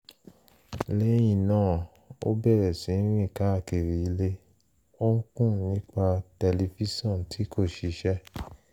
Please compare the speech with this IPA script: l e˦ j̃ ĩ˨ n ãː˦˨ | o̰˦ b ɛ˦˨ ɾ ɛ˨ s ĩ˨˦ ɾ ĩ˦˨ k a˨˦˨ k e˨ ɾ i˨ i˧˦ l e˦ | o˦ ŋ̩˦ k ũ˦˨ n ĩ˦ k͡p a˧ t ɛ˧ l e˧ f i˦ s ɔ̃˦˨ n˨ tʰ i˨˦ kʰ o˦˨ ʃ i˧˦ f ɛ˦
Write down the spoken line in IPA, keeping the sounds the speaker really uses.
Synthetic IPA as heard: l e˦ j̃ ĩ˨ n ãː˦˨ | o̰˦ b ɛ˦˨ ɾ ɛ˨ s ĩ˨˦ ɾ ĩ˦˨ k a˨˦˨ k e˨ ɾ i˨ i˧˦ l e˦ | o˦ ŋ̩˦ k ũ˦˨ n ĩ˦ k͡p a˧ t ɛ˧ l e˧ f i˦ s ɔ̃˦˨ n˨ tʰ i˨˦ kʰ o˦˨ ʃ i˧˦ ʃ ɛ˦